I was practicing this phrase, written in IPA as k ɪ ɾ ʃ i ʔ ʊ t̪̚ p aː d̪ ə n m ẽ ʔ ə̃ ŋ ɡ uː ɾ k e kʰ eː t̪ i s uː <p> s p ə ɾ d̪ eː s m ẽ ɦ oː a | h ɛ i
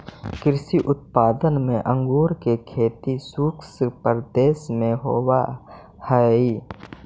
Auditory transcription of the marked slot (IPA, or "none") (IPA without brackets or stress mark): k